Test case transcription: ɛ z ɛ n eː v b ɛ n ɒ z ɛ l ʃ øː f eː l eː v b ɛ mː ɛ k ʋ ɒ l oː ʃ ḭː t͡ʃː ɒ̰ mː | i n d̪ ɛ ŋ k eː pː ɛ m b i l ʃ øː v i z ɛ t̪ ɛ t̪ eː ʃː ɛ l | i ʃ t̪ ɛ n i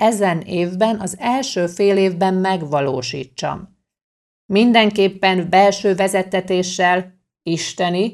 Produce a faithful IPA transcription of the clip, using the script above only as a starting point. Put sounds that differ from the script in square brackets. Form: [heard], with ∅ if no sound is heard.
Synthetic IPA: ɛ z ɛ n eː v b ɛ n ɒ z ɛ l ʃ øː f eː l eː v b ɛ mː ɛ [ɡ] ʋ ɒ l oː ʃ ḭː t͡ʃː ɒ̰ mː | i n d̪ ɛ ŋ k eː pː ɛ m b [ɛ] l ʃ øː v [ɛ] z ɛ t̪ ɛ t̪ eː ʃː ɛ l | i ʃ t̪ ɛ n i